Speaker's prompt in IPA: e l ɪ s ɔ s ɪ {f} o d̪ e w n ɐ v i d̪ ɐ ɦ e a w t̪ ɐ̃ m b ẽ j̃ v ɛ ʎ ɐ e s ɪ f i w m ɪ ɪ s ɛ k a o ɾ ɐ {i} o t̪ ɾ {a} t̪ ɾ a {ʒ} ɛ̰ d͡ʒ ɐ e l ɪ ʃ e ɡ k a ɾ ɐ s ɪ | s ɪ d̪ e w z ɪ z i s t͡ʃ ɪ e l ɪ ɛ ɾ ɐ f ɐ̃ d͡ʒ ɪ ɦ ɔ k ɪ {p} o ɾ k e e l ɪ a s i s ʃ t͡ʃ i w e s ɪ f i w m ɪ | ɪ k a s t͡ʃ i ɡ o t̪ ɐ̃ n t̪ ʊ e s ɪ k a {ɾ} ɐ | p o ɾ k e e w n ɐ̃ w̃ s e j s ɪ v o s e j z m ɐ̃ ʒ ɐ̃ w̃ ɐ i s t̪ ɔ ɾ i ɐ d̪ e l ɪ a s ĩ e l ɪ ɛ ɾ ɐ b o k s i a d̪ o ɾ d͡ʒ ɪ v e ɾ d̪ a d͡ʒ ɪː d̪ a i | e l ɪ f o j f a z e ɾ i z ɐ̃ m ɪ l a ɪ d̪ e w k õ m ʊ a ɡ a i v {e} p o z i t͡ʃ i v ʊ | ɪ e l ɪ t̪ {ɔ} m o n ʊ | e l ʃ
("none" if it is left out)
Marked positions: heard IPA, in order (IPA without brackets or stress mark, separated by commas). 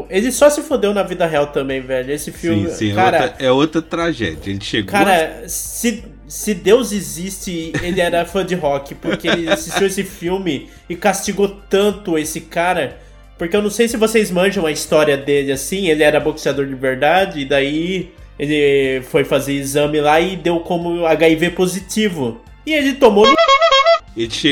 f, ɛ, ɐ, ʒ, p, ɾ, e, o